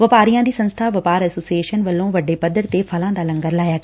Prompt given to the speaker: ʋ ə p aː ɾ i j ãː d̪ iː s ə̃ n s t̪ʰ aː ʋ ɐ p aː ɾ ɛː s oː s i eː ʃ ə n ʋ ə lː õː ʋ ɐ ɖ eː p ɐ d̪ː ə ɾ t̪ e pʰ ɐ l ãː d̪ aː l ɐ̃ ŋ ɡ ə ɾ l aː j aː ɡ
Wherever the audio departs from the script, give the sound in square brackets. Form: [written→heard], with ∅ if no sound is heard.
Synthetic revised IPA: ʋ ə p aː ɾ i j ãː d̪ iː s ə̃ n s t̪ʰ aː ʋ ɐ p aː ɾ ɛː s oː s i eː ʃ ə n ʋ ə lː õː ʋ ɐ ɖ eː p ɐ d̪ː ə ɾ t̪ e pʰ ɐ l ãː d̪ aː l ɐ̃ ŋ ɡ ə ɾ l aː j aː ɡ